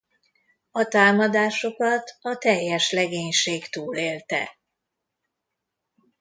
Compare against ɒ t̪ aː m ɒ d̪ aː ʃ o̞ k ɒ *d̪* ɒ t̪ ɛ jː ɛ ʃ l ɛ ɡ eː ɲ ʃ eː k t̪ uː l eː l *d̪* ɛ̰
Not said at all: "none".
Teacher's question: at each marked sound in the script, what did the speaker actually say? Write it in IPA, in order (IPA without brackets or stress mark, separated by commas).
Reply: t̪, t̪